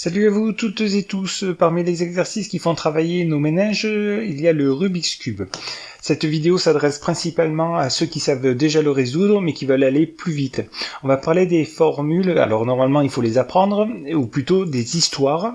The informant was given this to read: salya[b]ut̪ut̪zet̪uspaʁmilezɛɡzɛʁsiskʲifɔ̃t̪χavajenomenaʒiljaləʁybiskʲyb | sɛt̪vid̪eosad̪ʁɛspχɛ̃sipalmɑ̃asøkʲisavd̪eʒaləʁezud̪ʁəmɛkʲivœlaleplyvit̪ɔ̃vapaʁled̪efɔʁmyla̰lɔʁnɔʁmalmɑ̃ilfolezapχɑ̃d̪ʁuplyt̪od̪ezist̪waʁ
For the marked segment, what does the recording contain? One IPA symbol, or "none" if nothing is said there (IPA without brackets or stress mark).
v